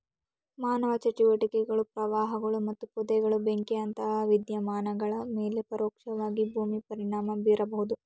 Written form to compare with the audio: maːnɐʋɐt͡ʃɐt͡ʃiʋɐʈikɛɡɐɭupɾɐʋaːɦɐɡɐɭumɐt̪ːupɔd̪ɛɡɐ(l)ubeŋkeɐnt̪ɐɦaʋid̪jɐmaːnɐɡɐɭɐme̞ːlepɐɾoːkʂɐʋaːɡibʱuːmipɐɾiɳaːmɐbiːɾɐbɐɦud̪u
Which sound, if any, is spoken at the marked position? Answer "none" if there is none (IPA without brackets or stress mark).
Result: ɭ